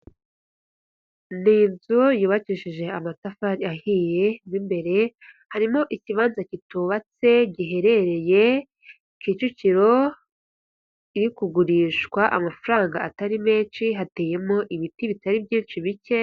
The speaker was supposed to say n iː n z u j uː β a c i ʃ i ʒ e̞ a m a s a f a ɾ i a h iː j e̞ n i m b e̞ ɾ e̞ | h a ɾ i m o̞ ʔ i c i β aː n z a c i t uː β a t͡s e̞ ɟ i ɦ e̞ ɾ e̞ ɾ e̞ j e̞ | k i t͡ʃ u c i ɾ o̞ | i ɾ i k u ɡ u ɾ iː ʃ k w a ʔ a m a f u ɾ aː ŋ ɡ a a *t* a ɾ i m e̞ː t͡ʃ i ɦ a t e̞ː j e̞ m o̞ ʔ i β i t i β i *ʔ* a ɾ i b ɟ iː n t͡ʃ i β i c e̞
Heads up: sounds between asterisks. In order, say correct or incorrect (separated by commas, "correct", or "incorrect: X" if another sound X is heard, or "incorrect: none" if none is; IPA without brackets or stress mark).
correct, incorrect: t